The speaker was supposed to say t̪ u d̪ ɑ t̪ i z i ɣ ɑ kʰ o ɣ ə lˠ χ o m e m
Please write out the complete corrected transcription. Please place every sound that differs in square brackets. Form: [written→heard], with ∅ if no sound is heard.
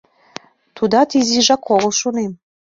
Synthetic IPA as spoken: t̪ u d̪ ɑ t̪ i z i [ɣ→ʒ] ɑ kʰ o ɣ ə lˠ [χ→ʃ] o [m→n] e m